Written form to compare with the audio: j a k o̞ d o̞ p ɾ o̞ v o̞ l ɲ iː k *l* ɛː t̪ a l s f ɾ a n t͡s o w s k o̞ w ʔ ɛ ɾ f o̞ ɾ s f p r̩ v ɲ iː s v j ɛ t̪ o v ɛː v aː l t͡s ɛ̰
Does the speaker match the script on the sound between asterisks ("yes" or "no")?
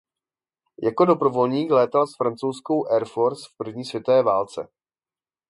yes